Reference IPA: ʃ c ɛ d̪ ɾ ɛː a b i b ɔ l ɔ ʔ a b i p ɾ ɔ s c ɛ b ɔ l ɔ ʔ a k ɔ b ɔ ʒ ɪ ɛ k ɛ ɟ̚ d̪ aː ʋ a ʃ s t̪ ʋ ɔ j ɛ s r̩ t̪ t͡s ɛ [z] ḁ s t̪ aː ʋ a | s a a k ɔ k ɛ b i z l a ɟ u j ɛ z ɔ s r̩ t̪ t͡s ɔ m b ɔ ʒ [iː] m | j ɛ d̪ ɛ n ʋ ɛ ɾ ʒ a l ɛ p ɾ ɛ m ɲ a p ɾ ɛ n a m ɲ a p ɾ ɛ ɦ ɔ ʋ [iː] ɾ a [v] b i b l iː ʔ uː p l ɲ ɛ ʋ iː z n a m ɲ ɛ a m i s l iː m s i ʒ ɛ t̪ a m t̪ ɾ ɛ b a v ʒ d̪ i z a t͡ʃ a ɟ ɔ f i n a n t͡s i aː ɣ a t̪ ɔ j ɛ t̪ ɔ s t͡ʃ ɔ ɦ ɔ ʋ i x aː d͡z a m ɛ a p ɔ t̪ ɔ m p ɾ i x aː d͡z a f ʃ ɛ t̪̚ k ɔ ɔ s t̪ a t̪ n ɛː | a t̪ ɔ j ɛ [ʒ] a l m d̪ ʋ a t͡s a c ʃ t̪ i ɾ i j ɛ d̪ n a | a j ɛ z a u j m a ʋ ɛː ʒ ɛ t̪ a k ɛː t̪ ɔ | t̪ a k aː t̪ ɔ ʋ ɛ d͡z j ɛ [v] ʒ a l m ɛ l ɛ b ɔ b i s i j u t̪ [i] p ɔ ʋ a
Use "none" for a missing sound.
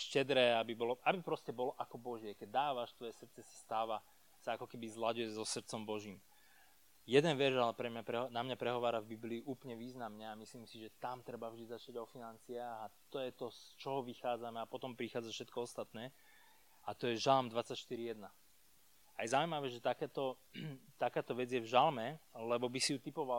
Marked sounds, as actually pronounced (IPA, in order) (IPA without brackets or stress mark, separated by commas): s, iː, aː, v, ʒ, v, i